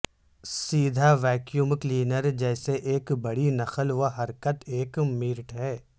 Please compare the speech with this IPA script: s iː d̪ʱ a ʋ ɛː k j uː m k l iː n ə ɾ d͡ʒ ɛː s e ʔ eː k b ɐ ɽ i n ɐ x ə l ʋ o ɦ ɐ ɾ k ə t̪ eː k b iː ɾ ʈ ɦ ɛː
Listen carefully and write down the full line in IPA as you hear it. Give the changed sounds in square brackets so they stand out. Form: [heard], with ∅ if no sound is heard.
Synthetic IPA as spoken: s iː d̪ʱ a ʋ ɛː k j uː m k l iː n ə ɾ d͡ʒ ɛː s e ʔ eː k b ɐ ɽ i n ɐ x ə l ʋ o ɦ ɐ ɾ k ə t̪ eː k [m] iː ɾ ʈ ɦ ɛː